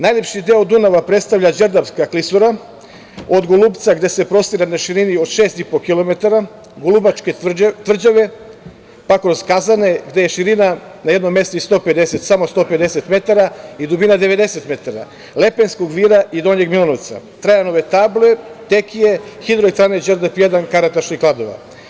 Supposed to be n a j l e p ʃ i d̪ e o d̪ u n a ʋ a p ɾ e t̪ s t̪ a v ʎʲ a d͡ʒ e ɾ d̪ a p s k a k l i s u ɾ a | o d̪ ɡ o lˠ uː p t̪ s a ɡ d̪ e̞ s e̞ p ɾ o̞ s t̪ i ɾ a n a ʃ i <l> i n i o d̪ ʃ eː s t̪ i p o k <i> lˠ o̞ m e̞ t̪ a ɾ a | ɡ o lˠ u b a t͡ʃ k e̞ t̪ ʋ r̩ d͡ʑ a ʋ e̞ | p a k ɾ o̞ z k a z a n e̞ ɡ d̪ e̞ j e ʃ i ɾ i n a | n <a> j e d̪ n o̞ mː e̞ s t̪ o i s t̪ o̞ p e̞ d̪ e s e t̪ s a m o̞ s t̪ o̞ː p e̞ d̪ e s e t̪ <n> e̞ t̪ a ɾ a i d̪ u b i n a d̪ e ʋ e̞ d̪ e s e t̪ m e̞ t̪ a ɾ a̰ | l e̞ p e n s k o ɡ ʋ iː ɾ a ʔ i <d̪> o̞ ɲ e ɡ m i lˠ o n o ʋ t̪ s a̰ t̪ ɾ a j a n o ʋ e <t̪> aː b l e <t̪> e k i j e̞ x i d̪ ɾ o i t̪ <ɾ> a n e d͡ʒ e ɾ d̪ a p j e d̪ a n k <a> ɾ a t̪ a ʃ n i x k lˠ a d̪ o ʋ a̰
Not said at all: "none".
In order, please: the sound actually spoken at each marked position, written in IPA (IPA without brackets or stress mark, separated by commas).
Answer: ɾ, i, a, m, d̪, t̪, t̪, ɾ, a